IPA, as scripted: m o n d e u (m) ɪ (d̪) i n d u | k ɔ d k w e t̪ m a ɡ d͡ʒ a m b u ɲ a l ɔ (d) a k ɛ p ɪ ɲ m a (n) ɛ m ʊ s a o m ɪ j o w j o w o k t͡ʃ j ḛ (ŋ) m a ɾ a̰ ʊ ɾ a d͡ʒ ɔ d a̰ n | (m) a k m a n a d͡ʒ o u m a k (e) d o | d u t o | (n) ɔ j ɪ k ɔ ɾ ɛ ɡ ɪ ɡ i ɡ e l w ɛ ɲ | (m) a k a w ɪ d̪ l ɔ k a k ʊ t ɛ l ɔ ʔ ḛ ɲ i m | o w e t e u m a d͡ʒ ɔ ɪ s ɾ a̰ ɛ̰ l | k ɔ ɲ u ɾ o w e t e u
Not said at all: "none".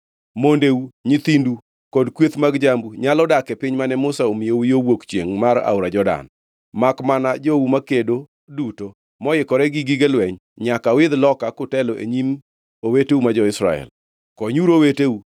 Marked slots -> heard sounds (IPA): ɲ, t̪, d, n, ŋ, m, e, m, ɲ

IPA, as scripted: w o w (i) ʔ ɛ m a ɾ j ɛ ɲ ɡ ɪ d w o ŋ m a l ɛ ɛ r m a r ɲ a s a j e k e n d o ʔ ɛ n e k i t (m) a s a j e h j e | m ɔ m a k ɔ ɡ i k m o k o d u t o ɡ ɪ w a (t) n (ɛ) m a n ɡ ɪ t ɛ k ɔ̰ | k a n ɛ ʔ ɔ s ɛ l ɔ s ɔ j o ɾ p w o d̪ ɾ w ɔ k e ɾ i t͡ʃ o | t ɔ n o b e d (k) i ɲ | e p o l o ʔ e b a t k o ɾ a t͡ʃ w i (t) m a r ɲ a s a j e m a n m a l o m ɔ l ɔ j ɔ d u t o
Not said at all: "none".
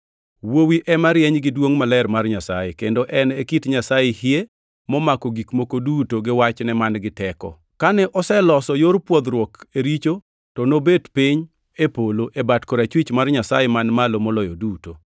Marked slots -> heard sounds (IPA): i, ɲ, t͡ʃ, ɛ, p, t͡ʃ

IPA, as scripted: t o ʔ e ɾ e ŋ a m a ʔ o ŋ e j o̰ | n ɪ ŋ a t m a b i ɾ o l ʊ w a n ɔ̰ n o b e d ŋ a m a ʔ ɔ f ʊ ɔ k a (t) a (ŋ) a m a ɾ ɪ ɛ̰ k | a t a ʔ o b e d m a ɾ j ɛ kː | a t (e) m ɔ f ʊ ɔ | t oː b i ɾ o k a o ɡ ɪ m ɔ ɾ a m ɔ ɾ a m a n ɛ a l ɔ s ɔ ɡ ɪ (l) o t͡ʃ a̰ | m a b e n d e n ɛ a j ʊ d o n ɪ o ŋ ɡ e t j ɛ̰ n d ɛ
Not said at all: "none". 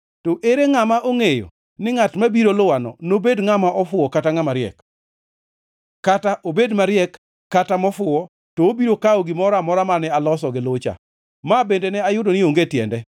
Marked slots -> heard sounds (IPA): t, ŋ, a, l

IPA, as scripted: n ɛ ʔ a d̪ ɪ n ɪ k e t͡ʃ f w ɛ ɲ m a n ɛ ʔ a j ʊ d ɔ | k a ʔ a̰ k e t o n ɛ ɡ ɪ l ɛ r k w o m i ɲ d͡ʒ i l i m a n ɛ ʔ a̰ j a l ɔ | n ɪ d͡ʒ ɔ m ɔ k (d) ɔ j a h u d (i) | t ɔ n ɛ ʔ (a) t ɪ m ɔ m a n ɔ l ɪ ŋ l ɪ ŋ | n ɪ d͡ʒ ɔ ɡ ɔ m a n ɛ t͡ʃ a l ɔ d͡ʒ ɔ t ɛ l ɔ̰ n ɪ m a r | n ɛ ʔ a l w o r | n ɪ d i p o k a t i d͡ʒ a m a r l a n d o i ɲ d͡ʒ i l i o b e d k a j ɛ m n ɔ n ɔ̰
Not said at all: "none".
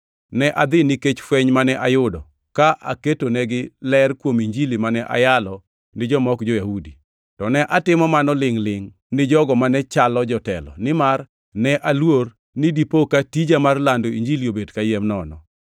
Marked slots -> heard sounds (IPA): d͡ʒ, i, a

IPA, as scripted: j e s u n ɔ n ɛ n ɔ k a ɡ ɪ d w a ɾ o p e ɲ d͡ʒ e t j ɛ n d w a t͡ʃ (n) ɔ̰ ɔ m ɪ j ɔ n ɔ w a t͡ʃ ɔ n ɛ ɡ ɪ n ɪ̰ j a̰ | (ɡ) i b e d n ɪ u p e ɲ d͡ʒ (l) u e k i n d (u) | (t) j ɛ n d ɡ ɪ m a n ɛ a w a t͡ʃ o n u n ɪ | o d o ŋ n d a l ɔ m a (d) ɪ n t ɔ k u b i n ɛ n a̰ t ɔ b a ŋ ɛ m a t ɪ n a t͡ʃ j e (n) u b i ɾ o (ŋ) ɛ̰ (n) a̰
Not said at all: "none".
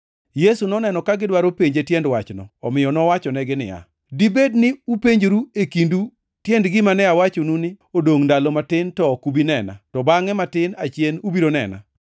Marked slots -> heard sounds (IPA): n, d, ɾ, u, t, t, n, n, n

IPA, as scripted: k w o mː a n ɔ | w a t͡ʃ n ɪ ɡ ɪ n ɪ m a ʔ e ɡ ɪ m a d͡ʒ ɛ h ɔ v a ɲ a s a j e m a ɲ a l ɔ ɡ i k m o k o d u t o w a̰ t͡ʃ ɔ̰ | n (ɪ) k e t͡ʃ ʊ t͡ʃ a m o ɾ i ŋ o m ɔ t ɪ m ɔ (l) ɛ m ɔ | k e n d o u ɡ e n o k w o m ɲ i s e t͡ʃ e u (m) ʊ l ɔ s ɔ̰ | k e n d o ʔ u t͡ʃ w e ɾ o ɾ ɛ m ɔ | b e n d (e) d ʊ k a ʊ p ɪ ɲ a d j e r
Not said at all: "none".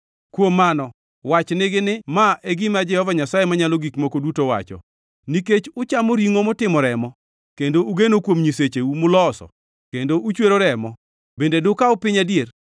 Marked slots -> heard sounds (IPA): i, ɾ, m, e

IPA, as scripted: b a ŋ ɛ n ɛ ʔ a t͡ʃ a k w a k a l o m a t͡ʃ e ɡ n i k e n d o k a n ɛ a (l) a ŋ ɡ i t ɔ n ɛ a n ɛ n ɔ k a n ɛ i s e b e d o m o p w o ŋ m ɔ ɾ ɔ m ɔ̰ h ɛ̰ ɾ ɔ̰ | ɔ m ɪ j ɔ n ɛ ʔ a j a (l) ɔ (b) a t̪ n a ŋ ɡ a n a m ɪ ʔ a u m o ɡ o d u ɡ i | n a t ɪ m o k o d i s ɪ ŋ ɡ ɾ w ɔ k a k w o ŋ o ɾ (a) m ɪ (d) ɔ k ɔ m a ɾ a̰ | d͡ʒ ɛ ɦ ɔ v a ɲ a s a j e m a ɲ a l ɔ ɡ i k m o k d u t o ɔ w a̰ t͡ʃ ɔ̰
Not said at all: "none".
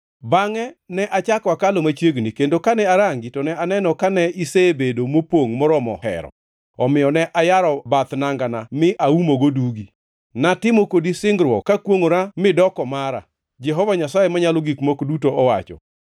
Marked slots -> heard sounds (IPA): ɾ, ɾ, b, a, d

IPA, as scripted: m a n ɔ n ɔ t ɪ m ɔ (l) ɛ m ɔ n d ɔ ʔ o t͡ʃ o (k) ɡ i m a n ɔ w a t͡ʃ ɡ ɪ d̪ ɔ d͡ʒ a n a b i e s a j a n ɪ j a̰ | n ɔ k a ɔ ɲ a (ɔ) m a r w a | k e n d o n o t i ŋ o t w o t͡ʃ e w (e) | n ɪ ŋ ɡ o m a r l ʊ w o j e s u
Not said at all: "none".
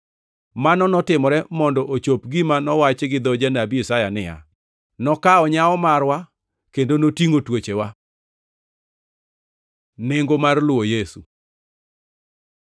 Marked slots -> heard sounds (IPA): ɾ, p, ɔ, a

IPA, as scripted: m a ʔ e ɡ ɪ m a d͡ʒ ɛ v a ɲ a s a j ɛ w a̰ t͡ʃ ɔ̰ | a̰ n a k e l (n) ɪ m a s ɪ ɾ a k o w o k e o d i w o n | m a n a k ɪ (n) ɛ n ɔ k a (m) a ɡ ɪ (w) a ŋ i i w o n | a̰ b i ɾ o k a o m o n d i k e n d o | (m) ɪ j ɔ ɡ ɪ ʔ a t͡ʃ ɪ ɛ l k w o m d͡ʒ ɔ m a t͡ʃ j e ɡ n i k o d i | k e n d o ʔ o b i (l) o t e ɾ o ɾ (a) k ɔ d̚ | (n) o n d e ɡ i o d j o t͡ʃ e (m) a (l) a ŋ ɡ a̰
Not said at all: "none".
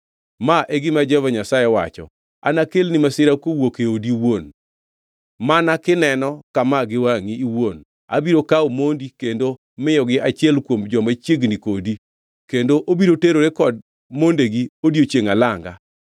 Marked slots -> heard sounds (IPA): n, n, m, w, m, ɾ, e, m, ŋ, l

